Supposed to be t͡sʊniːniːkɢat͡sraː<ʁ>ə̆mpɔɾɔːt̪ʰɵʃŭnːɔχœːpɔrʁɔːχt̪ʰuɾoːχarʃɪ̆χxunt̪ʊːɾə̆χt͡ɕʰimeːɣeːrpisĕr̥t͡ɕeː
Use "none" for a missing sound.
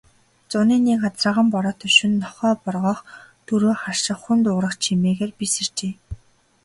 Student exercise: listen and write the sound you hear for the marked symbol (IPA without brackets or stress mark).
ʁ